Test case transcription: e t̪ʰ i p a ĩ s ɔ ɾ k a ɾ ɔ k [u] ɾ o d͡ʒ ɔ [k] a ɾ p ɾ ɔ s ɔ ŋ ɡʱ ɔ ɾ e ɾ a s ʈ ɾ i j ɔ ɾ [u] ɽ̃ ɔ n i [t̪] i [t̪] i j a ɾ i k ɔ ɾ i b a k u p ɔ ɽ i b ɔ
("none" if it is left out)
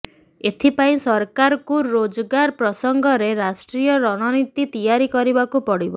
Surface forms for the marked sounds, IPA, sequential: u, ɡ, ɔ, t̪, t̪

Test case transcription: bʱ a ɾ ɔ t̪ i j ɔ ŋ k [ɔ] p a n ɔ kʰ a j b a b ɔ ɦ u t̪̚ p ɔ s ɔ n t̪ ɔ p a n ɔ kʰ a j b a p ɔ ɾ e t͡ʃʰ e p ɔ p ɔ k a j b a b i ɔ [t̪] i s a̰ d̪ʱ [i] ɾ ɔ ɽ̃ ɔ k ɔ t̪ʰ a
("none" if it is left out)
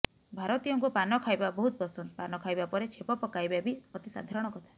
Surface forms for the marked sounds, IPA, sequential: u, t̪, a

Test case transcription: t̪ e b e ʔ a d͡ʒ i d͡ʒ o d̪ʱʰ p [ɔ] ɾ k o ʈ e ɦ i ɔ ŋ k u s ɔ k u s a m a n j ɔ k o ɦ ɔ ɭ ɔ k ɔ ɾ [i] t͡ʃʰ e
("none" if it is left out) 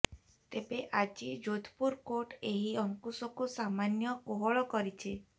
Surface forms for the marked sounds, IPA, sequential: u, i

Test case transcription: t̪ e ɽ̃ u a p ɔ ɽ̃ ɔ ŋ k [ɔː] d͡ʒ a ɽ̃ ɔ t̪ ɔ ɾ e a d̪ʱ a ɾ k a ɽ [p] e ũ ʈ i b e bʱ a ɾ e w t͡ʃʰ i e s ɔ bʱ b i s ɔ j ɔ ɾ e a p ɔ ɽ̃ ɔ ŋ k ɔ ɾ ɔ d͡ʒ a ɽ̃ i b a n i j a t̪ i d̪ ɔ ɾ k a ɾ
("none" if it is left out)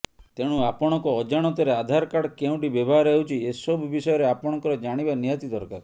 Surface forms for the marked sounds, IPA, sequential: ɔː, k

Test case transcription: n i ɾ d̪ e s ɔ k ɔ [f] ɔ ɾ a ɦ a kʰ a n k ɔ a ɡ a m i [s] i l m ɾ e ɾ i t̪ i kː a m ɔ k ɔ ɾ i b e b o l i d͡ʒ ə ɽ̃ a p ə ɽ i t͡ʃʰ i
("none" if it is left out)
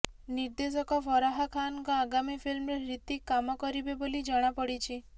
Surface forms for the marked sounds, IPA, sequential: f, f

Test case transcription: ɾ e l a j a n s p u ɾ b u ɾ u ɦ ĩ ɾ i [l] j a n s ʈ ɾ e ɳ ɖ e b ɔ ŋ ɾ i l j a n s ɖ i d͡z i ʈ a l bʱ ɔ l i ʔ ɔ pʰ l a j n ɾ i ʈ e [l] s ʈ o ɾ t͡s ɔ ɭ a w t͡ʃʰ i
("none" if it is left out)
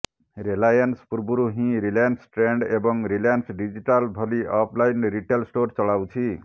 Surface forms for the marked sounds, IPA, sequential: l, l

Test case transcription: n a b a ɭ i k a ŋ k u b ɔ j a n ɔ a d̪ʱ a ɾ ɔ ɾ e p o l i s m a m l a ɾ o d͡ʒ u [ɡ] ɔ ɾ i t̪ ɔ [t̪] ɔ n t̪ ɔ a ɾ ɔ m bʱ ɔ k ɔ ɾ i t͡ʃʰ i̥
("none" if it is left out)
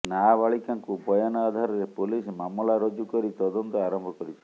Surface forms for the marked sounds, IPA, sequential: k, d̪

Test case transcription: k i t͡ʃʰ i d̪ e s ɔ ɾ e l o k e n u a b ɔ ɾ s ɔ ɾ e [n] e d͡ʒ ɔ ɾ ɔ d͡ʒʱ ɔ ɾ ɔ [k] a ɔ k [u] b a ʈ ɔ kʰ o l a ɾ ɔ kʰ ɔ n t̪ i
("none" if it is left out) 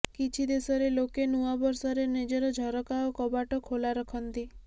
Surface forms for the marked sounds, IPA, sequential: n, k, ɔ

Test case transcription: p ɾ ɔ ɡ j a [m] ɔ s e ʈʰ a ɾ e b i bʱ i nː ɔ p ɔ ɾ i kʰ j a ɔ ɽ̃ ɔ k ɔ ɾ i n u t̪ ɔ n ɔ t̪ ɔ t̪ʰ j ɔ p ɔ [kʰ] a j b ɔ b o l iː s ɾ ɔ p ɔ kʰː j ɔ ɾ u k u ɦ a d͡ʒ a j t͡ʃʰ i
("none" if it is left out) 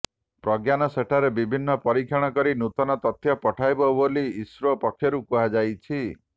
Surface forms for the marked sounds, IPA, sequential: n, ʈʰ

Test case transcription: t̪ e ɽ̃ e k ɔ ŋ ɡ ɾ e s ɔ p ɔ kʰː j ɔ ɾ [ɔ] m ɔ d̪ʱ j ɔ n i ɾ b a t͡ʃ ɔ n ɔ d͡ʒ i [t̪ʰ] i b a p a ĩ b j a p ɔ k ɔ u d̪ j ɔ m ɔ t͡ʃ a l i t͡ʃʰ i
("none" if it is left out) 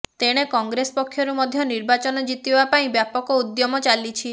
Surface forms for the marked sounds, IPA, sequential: u, t̪

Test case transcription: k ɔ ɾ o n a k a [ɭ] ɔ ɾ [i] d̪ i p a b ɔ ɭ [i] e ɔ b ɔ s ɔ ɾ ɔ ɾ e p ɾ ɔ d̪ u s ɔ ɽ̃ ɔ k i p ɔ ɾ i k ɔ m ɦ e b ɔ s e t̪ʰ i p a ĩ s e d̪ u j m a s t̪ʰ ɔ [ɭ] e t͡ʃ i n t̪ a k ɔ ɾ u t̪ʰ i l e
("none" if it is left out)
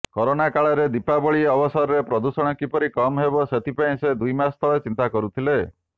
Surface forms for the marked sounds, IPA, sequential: ɭ, e, i, ɭ

